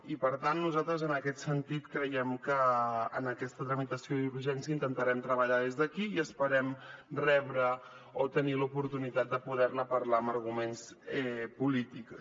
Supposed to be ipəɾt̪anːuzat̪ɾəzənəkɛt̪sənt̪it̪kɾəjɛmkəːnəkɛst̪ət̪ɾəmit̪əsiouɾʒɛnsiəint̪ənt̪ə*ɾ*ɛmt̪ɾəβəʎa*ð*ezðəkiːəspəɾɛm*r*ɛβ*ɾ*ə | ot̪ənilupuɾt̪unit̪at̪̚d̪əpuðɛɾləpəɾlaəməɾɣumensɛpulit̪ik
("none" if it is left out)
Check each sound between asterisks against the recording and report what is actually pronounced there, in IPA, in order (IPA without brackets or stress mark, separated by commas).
ɾ, ð, r, ɾ